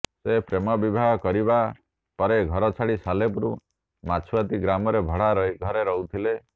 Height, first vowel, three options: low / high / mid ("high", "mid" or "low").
mid